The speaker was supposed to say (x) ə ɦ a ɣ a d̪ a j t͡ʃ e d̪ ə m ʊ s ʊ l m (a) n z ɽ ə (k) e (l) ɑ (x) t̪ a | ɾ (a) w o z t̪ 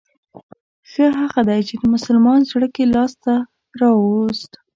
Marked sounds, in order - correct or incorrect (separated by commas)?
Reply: correct, incorrect, correct, correct, incorrect, incorrect